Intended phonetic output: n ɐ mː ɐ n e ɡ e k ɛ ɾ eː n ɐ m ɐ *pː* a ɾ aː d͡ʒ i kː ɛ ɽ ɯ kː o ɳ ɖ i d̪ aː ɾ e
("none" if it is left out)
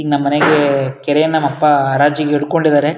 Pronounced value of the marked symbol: pː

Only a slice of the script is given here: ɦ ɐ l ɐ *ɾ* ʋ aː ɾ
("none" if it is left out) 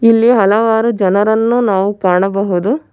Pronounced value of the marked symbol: none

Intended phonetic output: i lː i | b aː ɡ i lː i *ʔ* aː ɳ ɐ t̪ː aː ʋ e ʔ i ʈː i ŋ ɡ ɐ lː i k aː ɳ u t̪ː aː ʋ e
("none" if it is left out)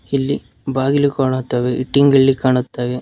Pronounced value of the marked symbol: k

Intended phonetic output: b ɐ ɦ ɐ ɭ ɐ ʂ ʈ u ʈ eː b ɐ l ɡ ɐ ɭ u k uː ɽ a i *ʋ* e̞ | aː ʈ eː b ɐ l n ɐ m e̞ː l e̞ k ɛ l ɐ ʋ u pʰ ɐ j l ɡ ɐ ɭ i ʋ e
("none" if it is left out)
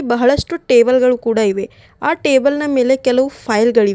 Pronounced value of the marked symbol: ʋ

